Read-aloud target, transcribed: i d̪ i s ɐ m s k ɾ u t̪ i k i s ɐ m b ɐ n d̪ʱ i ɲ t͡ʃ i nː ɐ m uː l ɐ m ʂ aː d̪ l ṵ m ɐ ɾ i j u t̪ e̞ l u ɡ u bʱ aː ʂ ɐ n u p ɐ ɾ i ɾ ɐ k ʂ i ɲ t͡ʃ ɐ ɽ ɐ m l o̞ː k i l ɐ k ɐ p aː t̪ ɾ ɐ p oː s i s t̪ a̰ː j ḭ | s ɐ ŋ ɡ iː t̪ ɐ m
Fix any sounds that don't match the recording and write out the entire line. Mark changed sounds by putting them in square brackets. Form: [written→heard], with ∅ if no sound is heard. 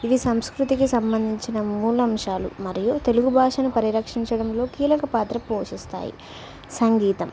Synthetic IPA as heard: i d̪ i s ɐ m s k ɾ u t̪ i k i s ɐ m b ɐ n d̪ʱ i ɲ t͡ʃ i [nː→n] ɐ m uː l ɐ m ʂ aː [d̪→∅] l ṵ m ɐ ɾ i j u t̪ e̞ l u ɡ u bʱ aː ʂ ɐ n u p ɐ ɾ i ɾ ɐ k ʂ i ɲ t͡ʃ ɐ ɽ ɐ m l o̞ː k [i→iː] l ɐ k ɐ p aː t̪ ɾ ɐ p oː [s→ʂ] i s t̪ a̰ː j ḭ | s ɐ ŋ ɡ iː t̪ ɐ m